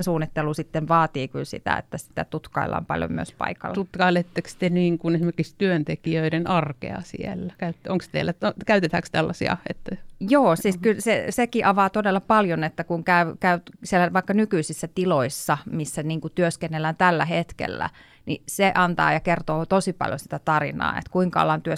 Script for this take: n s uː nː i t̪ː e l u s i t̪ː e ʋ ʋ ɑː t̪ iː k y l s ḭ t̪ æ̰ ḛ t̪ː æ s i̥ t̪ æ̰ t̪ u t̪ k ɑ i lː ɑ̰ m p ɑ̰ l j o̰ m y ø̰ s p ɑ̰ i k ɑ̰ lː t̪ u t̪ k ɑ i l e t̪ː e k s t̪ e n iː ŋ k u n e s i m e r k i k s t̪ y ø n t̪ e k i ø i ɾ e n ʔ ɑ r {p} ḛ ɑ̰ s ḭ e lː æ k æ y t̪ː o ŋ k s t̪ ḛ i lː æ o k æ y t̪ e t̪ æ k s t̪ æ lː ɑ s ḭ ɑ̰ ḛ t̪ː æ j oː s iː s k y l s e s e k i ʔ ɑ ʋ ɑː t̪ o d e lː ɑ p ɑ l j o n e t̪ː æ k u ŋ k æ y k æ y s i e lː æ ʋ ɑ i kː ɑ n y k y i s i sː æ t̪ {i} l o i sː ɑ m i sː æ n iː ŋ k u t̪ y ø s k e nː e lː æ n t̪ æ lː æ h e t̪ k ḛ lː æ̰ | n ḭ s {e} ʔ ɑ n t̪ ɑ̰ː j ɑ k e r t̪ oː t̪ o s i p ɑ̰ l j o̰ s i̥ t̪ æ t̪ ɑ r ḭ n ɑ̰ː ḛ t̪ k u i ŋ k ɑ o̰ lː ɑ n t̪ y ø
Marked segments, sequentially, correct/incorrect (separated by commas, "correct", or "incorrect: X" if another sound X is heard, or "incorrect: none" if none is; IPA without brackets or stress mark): incorrect: k, correct, correct